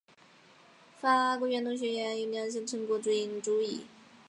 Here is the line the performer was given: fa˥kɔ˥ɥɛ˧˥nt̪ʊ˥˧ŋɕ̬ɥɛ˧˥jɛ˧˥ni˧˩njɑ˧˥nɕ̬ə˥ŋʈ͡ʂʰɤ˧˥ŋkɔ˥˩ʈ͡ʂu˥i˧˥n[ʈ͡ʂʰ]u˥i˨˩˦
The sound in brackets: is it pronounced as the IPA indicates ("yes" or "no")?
no